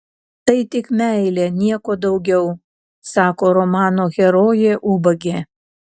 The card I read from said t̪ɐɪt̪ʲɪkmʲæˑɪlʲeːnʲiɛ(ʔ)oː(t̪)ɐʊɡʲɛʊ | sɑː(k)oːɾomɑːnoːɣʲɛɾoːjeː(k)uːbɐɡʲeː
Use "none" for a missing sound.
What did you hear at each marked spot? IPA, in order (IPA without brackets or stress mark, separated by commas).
k, d̪, k, ʔ